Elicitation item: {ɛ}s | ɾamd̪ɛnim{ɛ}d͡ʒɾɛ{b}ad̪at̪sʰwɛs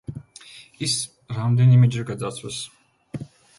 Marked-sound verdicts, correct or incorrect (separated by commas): incorrect, correct, incorrect